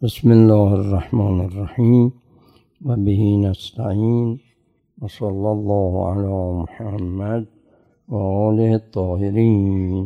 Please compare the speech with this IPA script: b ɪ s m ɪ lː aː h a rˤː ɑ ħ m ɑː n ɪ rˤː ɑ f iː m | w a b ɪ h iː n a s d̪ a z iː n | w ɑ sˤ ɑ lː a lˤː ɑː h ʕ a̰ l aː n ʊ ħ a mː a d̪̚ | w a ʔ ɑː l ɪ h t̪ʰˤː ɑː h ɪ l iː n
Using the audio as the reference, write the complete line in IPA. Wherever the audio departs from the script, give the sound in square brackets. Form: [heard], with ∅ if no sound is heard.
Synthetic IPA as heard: b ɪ s m ɪ lː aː h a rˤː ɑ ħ m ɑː n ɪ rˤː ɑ [ħ] iː m | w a b ɪ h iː n a s [t̪] a [ʕ] iː n | w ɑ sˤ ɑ lː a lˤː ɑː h ʕ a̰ l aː [m] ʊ ħ a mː a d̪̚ | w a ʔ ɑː l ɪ h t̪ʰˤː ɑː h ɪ [ɾ] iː n